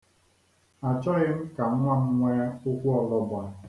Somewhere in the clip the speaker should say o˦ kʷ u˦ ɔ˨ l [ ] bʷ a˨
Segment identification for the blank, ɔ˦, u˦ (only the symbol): ɔ˦